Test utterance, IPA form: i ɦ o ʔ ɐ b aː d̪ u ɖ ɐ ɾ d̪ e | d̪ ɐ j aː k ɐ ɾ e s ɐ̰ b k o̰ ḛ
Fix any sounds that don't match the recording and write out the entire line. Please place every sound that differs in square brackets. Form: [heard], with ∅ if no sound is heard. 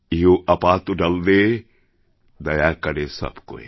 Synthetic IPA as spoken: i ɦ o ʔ ɐ [p] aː [t̪] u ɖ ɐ [l] d̪ e | d̪ ɐ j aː k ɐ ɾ e s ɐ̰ b k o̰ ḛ

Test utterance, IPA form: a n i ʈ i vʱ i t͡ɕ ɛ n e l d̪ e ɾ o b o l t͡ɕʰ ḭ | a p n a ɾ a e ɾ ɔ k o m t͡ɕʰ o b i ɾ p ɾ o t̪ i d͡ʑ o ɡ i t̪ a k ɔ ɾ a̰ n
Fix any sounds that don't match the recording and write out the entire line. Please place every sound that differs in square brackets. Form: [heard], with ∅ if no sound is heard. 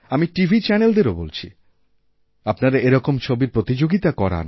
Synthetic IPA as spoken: a [m] i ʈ i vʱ i t͡ɕ ɛ n e l d̪ e ɾ o b o l t͡ɕʰ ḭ | a p n a ɾ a e ɾ ɔ k o m t͡ɕʰ o b i ɾ p ɾ o t̪ i d͡ʑ o ɡ i t̪ a k ɔ ɾ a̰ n

